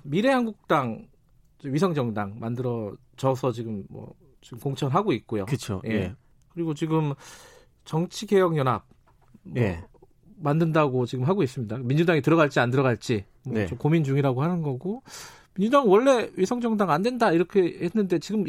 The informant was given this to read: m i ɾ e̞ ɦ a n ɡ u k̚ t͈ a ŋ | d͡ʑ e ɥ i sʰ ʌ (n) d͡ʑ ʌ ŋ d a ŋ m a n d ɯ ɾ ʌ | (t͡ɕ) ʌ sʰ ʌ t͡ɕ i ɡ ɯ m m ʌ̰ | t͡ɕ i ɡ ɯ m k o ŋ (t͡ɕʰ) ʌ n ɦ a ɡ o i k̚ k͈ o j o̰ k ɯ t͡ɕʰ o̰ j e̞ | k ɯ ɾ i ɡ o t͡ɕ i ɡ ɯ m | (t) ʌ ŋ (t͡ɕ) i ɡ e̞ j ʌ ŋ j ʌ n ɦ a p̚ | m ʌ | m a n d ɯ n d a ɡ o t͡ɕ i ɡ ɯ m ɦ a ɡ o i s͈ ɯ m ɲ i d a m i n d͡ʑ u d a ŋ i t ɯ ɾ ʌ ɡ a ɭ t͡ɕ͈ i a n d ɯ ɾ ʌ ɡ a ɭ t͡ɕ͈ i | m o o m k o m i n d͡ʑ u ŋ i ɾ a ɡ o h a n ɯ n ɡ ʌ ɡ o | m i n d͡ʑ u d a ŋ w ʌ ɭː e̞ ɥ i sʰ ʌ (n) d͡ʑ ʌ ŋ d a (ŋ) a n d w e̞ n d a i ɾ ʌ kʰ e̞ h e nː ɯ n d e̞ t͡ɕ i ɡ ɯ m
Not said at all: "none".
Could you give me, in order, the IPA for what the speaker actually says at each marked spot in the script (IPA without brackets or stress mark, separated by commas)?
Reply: ŋ, t͡ɕ, t͡ɕʰ, t͡ɕ, t͡ɕʰ, ŋ, ŋ